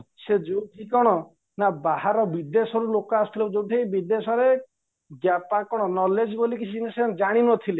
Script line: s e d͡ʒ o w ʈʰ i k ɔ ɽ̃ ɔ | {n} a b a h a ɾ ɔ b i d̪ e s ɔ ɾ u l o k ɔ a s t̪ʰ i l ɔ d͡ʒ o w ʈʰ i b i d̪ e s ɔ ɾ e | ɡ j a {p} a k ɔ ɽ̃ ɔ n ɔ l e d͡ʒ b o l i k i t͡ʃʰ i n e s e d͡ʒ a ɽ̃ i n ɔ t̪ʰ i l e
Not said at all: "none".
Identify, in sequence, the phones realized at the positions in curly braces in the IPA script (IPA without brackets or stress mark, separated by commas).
n, p